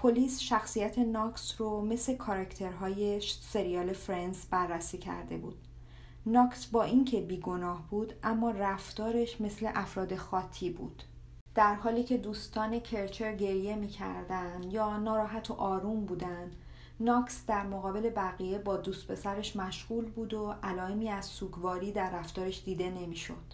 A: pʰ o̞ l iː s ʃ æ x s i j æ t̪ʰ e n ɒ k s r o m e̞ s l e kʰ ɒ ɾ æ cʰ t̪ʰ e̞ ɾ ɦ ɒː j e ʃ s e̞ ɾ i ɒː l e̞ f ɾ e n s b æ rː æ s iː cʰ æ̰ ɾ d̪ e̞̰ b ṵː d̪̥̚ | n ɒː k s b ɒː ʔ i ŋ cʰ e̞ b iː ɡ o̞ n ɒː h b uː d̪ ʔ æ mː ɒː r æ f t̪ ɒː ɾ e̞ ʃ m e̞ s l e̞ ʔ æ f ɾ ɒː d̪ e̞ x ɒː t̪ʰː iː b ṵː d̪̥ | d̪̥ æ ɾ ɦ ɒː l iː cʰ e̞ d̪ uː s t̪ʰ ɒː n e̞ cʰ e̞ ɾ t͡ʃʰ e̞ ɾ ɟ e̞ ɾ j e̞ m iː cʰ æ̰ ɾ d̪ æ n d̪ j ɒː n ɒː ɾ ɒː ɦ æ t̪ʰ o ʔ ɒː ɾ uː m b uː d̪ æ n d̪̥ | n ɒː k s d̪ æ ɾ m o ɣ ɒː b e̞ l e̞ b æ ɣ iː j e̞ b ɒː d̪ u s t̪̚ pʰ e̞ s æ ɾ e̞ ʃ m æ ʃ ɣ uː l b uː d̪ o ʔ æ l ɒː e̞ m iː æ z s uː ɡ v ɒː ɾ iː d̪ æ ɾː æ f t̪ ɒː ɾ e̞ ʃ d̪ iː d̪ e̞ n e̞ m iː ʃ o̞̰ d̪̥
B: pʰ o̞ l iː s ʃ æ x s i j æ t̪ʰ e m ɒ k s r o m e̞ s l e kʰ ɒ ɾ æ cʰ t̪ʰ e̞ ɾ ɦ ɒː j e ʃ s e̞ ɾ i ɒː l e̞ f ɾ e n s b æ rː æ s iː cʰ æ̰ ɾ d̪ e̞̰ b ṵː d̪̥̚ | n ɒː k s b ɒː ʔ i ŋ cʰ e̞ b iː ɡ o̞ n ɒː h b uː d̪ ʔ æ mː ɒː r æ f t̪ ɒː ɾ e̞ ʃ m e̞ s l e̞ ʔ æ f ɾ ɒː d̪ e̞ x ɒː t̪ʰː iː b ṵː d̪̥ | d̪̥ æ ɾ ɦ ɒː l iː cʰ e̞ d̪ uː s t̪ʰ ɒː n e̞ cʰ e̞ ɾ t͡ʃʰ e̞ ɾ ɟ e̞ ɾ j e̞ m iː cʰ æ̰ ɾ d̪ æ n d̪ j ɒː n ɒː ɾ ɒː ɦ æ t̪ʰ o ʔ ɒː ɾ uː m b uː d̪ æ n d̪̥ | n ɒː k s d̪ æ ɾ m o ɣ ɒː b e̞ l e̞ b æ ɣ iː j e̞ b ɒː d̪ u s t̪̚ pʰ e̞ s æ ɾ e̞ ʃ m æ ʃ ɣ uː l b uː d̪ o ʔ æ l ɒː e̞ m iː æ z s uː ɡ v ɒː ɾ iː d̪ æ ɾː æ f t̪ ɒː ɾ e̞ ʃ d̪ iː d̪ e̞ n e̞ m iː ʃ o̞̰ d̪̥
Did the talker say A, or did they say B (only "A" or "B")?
A